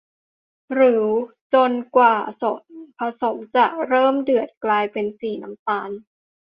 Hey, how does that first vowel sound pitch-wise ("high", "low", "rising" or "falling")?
rising